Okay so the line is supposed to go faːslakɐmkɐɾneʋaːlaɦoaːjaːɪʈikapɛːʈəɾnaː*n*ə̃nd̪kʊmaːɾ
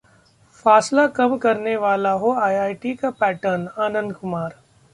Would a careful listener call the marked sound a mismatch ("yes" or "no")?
no